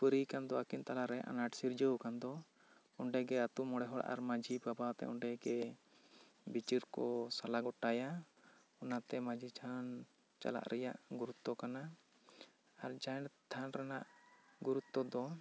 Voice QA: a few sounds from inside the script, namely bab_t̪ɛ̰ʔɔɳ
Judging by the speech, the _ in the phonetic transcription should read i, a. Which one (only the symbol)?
a